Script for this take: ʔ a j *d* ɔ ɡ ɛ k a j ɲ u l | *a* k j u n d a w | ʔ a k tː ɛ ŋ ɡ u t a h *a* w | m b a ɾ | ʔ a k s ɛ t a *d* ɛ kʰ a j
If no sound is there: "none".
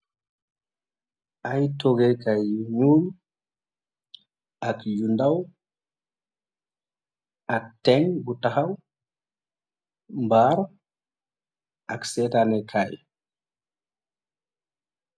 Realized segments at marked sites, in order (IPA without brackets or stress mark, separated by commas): t, a, a, n